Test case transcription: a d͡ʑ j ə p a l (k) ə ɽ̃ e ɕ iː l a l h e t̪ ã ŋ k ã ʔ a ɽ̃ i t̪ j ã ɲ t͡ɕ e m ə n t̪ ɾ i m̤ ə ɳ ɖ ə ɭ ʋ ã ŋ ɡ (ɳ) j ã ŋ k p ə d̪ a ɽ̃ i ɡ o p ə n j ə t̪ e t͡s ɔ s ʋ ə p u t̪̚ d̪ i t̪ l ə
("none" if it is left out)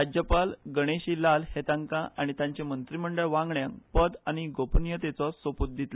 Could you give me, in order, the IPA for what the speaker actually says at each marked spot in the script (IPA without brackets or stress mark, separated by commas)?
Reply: ɡ, ɳ